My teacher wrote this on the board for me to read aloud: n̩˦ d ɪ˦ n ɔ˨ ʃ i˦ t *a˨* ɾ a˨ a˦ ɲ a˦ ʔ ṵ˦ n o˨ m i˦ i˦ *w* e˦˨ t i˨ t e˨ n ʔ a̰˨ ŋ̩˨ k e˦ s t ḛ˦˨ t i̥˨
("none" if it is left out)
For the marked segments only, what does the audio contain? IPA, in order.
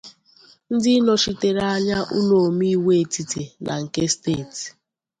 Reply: e˨, w

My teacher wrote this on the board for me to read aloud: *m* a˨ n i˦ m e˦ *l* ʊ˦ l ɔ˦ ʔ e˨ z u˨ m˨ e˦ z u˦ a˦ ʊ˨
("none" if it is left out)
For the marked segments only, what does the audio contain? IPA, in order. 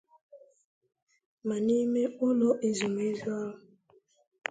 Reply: m, none

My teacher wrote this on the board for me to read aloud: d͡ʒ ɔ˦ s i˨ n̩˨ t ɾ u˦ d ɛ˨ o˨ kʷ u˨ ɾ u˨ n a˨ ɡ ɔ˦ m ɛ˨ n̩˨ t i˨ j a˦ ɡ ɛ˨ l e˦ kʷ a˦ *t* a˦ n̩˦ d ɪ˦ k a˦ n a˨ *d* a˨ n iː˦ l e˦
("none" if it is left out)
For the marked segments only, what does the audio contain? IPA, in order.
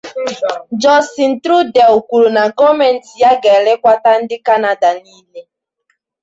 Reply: t, d

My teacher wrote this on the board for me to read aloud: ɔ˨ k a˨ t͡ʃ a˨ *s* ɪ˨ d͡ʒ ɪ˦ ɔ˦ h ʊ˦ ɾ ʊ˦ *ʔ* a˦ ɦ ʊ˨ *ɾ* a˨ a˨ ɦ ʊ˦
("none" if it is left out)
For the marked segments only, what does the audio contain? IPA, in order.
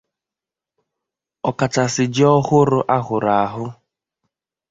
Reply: s, ʔ, ɾ

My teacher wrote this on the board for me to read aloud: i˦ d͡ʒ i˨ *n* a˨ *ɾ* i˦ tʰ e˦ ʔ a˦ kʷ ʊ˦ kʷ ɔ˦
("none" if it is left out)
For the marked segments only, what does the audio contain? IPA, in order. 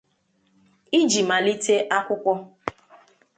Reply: m, l

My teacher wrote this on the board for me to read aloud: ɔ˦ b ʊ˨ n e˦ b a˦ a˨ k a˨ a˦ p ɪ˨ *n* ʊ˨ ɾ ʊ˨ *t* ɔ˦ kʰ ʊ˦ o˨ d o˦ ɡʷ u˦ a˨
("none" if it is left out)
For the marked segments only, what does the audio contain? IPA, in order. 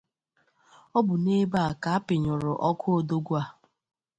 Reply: ɲ, ʔ

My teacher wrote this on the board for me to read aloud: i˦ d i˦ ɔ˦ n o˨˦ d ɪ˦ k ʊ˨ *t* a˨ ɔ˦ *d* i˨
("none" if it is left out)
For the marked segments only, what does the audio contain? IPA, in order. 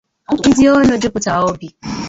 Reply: t, b

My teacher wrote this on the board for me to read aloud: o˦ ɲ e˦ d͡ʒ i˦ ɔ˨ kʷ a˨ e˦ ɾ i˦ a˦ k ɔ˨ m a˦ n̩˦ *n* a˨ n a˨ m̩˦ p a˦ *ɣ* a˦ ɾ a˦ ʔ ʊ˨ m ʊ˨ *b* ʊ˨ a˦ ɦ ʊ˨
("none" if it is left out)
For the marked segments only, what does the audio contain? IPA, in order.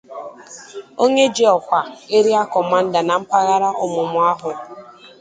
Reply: d, ɣ, m

